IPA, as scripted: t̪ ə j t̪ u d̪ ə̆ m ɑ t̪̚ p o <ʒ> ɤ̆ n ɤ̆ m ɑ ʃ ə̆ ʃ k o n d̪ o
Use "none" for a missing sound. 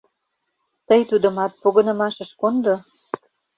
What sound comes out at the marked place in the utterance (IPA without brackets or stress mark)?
ɣ